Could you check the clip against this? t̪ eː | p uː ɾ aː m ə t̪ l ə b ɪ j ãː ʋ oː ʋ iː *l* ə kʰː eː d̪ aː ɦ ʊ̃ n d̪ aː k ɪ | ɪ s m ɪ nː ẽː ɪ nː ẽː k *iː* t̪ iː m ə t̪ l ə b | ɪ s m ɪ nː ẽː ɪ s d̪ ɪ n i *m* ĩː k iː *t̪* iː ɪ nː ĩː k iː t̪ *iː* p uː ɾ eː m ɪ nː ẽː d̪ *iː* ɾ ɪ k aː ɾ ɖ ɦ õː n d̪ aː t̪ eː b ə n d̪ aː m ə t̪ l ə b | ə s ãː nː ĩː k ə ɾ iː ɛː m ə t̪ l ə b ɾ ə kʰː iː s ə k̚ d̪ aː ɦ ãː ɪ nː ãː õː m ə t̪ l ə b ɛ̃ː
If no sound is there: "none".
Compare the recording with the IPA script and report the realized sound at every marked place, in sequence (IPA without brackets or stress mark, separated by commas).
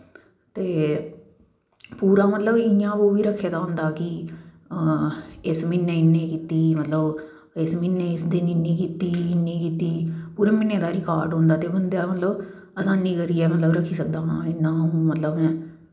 ɾ, iː, n, t̪, iː, aː